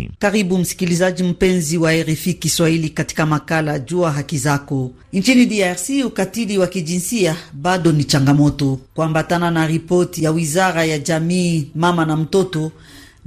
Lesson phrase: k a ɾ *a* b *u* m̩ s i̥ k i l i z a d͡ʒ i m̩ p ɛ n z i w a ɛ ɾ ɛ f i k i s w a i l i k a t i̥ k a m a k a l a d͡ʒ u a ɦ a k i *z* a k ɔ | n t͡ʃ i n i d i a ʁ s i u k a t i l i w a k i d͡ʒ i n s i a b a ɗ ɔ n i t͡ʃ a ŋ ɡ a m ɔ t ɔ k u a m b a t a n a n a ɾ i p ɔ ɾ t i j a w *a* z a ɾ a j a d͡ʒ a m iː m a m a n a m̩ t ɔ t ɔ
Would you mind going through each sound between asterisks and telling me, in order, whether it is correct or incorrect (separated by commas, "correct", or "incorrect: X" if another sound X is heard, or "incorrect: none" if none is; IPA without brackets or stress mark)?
incorrect: i, correct, correct, incorrect: i